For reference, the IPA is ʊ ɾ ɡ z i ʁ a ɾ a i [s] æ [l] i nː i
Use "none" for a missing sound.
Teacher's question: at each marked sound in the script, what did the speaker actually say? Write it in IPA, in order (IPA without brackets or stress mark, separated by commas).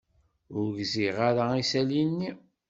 s, l